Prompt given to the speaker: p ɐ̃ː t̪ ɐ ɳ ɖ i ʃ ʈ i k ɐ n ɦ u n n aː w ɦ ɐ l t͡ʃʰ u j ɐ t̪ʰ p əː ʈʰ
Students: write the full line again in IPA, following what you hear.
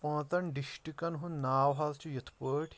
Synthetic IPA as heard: p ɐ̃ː t̪ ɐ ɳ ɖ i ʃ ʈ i k ɐ n ɦ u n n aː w ɦ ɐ l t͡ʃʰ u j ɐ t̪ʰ p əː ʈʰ